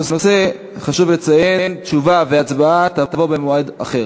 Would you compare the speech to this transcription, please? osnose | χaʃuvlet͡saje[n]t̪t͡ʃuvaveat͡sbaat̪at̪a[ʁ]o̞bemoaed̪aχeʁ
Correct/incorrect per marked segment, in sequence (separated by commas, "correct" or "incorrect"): correct, incorrect